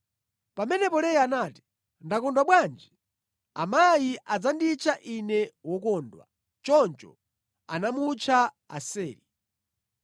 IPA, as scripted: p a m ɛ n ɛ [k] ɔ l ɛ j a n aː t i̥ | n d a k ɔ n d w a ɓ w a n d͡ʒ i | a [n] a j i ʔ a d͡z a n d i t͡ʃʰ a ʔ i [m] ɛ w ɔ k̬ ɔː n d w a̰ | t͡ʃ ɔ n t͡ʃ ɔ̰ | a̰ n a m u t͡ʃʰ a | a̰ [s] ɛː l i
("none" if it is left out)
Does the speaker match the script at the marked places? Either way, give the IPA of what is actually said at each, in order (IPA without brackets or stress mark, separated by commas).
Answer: p, m, n, s